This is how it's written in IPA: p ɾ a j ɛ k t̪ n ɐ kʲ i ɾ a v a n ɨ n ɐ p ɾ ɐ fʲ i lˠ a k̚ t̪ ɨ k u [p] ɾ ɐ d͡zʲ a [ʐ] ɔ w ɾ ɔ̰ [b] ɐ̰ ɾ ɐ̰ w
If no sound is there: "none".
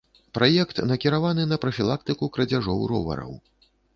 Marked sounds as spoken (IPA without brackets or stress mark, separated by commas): k, ʐ, v